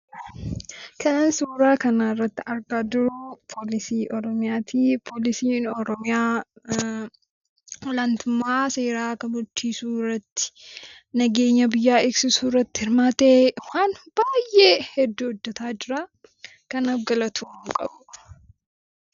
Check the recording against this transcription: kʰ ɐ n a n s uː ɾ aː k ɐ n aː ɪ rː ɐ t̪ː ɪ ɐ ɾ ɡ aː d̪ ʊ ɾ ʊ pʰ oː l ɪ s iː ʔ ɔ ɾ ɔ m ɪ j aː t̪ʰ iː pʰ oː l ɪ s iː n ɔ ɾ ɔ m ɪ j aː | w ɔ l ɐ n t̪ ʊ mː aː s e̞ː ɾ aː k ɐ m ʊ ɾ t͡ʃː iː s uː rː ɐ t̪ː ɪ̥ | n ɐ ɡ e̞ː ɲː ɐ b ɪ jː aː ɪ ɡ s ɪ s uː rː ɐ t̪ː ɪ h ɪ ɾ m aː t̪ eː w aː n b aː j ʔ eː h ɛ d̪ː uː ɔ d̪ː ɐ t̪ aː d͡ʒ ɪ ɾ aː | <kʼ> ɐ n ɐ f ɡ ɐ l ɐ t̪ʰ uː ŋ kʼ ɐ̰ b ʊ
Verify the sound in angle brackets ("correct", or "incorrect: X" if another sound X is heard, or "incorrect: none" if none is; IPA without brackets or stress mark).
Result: incorrect: k